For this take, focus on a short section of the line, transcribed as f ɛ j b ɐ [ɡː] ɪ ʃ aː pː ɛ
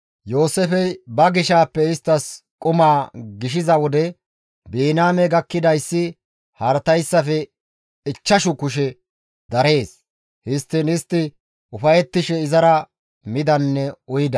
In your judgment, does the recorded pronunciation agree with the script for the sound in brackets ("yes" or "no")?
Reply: no